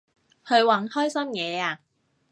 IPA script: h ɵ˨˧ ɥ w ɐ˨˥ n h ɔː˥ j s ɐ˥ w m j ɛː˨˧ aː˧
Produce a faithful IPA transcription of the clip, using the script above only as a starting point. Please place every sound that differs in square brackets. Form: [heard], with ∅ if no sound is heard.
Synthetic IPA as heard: h ɵ˨˧ ɥ w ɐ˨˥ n h ɔː˥ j s ɐ˥ [∅] m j ɛː˨˧ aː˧